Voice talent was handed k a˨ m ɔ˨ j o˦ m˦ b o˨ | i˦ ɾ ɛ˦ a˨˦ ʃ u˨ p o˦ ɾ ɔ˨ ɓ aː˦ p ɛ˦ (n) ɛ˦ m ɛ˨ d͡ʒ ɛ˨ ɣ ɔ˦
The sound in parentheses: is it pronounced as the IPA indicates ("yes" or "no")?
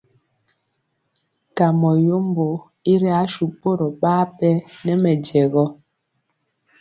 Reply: yes